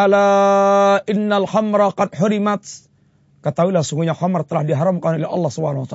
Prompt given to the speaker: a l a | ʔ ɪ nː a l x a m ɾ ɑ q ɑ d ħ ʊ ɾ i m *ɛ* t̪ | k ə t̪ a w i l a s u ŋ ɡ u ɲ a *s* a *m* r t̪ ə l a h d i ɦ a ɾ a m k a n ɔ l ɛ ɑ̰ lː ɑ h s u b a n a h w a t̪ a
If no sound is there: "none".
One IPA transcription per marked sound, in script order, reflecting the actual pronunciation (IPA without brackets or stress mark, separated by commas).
a, x, m